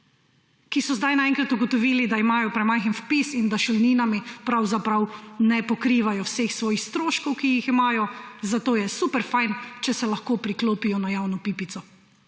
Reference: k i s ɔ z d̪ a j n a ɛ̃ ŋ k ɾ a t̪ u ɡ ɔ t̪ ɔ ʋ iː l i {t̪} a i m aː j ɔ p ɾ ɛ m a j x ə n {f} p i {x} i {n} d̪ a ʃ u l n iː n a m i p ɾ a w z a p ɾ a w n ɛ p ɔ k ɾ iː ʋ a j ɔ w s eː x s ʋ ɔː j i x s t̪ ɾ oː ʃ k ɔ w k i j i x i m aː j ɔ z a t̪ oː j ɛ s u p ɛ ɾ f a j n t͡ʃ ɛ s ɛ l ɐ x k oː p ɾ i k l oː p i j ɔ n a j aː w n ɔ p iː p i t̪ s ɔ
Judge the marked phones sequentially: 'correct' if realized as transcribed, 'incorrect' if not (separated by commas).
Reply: incorrect, correct, incorrect, correct